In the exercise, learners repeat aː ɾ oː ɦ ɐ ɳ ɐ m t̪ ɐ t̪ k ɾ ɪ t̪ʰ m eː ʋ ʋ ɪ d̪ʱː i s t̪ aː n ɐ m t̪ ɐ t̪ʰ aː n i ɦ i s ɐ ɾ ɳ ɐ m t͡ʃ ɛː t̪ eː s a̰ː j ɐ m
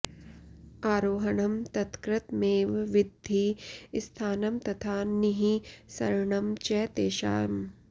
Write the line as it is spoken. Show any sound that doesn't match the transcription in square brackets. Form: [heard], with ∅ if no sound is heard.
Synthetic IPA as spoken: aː ɾ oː ɦ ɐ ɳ ɐ m t̪ ɐ t̪ k ɾ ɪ [t̪] m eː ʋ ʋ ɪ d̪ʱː i s [t̪ʰ] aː n ɐ m t̪ ɐ t̪ʰ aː n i ɦ i s ɐ ɾ ɳ ɐ m t͡ʃ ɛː t̪ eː [ʃ] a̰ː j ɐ m